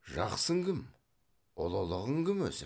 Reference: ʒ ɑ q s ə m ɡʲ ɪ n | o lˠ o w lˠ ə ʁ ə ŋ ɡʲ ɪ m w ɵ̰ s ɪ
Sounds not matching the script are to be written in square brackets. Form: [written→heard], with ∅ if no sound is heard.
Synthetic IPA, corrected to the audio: ʒ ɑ q s ə [m→ŋ] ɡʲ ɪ [n→m] | o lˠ o [w→∅] lˠ ə ʁ ə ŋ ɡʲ ɪ m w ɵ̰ s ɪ